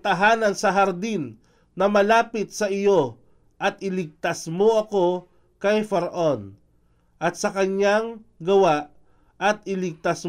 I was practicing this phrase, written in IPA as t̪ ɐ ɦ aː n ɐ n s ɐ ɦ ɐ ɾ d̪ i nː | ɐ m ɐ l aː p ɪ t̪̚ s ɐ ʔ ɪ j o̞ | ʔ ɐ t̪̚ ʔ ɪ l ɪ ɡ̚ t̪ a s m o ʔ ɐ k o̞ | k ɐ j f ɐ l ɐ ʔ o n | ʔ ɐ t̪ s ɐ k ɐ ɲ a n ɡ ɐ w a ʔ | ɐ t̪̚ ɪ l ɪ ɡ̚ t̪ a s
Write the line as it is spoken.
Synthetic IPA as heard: t̪ ɐ ɦ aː n ɐ n s ɐ ɦ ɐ ɾ d̪ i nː | ɐ m ɐ l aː p ɪ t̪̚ s ɐ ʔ ɪ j o̞ | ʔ ɐ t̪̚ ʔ ɪ l ɪ ɡ̚ t̪ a s m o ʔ ɐ k o̞ | k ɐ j f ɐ ɾ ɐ ʔ o n | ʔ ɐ t̪ s ɐ k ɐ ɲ a ŋ ɡ ɐ w a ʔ | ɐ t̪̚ ɪ l ɪ ɡ̚ t̪ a s